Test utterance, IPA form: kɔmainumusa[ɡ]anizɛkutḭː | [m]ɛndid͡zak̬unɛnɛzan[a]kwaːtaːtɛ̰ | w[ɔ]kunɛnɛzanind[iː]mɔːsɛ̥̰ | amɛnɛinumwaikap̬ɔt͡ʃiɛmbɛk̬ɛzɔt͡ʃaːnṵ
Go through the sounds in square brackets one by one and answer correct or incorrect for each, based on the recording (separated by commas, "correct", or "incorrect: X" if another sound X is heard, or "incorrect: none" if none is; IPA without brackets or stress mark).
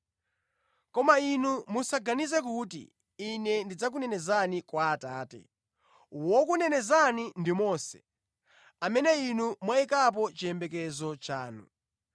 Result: correct, incorrect: n, incorrect: i, correct, incorrect: i